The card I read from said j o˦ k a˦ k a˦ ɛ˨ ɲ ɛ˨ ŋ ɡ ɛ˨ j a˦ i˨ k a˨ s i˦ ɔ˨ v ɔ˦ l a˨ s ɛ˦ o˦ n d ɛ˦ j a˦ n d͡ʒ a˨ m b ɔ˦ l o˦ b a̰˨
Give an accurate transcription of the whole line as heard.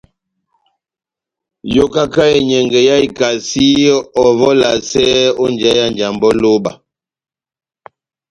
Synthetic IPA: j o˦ k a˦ k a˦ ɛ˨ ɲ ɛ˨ ŋ ɡ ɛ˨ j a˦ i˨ k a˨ s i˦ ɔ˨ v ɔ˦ l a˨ s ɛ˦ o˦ n d͡ʒ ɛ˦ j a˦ n d͡ʒ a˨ m b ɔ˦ l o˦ b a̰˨